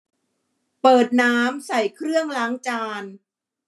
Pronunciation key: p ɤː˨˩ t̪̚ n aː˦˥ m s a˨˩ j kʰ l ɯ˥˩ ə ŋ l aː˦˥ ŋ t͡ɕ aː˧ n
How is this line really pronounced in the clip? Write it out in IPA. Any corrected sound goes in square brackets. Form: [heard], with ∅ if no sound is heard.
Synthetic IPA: p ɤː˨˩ t̪̚ n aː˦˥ m s a˨˩ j kʰ [ɾ] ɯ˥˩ ə ŋ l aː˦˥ ŋ t͡ɕ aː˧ n